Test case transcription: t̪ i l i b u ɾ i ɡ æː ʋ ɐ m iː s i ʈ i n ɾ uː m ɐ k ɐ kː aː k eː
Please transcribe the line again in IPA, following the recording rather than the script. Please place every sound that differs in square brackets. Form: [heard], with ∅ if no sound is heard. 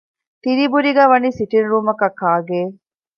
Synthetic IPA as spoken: t̪ i [ɾ] i b u ɾ i ɡ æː ʋ ɐ [n] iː s i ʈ i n ɾ uː m ɐ k ɐ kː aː [ɡ] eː